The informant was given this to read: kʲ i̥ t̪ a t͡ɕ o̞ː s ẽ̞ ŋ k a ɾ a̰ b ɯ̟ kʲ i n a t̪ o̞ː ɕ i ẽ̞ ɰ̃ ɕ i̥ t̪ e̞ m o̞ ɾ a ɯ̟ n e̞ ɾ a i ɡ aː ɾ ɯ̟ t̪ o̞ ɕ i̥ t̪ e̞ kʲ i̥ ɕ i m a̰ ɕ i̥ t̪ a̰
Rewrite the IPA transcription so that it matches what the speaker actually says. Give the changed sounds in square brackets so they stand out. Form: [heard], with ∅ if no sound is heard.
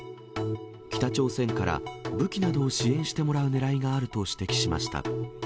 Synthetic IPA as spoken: kʲ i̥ t̪ a t͡ɕ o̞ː s ẽ̞ ŋ k a ɾ a̰ b ɯ̟ kʲ i n a [d̪] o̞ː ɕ i ẽ̞ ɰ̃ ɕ i̥ t̪ e̞ m o̞ ɾ a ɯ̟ n e̞ ɾ a i ɡ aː ɾ ɯ̟ t̪ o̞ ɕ i̥ t̪ e̞ kʲ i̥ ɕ i m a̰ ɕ i̥ t̪ a̰